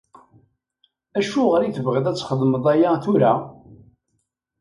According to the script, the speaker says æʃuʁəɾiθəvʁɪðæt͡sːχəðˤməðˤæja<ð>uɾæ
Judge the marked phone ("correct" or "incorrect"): incorrect